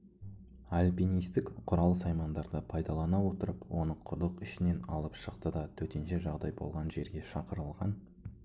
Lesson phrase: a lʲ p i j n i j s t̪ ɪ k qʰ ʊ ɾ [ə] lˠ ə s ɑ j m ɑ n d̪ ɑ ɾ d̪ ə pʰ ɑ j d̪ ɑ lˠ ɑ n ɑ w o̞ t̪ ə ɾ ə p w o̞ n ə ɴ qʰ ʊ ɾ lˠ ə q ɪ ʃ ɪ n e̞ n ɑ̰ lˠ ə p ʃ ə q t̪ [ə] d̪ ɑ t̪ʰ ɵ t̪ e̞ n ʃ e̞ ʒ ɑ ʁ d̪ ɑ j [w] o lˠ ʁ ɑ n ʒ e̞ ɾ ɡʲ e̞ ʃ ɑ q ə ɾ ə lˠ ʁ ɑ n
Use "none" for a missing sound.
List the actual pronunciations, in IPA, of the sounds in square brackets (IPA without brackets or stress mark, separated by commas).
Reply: ɑ, ə, b